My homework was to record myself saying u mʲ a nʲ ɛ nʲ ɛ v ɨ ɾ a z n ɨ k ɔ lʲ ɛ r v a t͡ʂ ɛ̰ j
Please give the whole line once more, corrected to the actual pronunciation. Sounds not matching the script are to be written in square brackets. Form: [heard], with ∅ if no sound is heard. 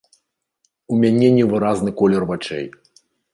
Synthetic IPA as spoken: u mʲ a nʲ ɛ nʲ ɛ v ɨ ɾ a z n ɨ k ɔ lʲ ɛ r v a t͡ʂ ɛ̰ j